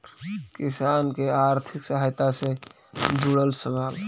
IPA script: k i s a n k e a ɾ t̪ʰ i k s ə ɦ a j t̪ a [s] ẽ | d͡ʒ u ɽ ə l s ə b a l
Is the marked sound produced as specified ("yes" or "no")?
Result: yes